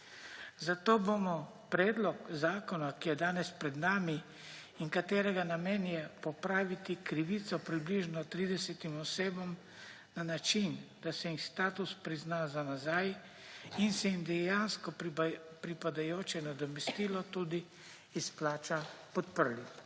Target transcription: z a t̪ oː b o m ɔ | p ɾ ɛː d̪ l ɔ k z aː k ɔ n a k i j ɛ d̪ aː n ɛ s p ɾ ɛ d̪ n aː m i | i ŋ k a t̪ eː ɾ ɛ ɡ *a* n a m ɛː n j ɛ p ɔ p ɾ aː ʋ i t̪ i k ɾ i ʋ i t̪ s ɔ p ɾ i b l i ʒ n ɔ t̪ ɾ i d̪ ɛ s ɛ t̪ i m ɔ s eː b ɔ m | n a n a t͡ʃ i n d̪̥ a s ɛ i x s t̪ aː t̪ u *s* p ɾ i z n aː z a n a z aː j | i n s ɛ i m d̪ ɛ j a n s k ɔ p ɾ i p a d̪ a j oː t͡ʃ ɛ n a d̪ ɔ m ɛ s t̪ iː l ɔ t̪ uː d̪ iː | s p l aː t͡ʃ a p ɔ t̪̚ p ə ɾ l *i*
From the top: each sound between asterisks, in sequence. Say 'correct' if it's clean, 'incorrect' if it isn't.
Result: correct, correct, correct

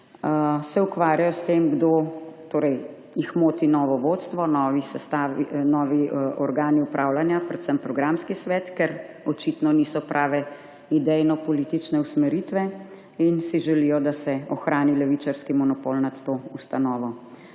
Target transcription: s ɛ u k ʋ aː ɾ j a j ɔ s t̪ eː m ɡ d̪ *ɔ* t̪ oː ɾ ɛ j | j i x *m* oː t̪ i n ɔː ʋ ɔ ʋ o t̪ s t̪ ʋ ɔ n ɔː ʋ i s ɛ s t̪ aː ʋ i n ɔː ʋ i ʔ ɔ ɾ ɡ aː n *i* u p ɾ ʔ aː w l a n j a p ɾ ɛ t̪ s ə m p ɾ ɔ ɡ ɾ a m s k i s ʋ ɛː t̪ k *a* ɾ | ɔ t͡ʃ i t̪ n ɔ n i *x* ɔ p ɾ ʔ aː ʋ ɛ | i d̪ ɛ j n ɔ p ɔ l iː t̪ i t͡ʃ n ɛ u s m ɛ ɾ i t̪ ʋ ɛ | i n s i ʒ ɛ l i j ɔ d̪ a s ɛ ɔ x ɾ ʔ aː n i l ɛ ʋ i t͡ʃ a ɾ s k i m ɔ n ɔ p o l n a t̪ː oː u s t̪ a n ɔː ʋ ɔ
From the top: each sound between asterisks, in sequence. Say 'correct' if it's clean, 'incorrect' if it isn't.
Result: incorrect: o, correct, correct, incorrect: ɛ, incorrect: s

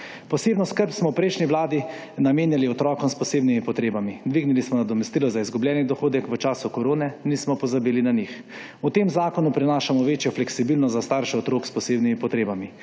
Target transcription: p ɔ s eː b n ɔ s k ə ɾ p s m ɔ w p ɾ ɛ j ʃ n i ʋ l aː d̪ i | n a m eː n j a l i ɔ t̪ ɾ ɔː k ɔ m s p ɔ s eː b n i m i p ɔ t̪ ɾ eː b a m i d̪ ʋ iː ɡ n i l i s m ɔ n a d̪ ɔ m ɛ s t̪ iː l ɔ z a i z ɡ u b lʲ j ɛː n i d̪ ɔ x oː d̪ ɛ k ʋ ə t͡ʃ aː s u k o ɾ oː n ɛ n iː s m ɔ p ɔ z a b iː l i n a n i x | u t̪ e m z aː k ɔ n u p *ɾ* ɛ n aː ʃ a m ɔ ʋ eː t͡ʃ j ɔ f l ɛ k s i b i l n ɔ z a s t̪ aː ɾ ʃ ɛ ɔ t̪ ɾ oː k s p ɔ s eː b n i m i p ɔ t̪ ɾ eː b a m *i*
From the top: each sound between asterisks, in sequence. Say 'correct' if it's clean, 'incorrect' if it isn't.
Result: correct, correct

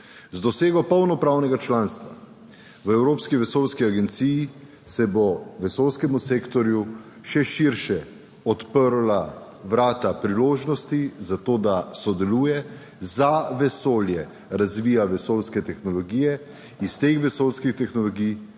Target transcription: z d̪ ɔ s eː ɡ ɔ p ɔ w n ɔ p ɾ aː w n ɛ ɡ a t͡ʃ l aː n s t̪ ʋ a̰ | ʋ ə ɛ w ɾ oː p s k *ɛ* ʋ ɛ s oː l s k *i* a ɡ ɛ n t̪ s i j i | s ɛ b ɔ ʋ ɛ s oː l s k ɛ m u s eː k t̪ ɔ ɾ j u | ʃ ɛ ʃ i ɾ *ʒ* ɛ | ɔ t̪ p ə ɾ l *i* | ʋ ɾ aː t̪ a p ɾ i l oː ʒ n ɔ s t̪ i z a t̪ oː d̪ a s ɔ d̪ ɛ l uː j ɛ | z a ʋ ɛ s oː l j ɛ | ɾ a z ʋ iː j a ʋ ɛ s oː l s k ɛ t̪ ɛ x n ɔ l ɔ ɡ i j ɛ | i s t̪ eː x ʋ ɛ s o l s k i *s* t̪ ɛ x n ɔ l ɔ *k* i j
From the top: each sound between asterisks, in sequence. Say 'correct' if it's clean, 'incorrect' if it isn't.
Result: incorrect: i, correct, incorrect: ʃ, incorrect: a, incorrect: x, incorrect: ɡ

